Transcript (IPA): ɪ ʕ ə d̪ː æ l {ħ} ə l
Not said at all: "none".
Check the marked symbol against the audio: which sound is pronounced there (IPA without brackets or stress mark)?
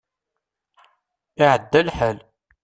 ħ